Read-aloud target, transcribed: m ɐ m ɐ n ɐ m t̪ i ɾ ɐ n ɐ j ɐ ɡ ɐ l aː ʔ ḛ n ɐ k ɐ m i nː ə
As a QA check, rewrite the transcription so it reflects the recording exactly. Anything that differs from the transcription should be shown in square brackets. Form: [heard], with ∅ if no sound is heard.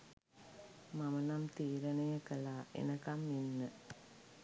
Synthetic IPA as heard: m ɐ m ɐ n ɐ m t̪ [iː] ɾ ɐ n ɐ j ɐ [k] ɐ l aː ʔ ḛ n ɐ k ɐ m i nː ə